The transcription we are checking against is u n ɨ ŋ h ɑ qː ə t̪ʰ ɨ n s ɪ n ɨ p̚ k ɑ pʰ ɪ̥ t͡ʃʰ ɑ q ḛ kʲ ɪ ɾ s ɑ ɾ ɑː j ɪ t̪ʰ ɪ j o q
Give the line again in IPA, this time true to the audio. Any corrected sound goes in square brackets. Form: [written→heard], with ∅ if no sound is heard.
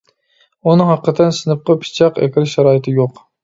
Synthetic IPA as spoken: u n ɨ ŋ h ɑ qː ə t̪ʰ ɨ n s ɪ n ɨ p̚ [k→q] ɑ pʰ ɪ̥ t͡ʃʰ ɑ q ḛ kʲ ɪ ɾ [s→ʃ] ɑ ɾ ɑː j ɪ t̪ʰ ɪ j o q